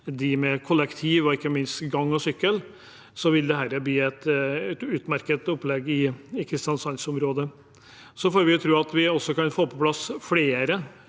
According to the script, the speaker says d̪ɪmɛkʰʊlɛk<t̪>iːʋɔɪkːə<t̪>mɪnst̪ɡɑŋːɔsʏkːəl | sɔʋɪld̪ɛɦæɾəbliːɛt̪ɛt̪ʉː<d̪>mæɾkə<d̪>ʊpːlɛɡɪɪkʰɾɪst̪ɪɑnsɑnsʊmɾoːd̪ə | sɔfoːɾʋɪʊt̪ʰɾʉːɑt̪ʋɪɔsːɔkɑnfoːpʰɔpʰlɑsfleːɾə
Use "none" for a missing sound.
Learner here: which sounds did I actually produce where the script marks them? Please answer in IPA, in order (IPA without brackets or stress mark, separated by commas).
t̪ʰ, none, t̪, t̪